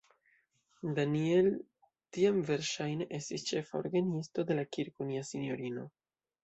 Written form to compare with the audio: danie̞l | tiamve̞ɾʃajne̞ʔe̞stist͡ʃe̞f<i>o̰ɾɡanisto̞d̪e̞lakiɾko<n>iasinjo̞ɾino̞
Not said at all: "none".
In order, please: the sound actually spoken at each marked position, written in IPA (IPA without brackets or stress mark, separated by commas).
a, n